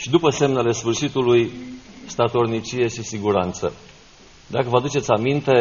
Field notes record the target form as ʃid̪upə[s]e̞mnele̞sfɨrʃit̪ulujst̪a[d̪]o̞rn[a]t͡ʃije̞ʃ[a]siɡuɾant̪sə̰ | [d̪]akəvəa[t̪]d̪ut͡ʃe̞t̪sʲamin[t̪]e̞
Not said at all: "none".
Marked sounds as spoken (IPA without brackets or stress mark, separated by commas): s, t̪, i, i, d̪, none, t̪